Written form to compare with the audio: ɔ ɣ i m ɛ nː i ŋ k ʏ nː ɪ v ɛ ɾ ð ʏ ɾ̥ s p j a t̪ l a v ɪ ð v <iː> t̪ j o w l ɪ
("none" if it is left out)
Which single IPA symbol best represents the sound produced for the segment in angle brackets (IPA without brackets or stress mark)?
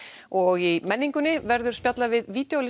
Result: iː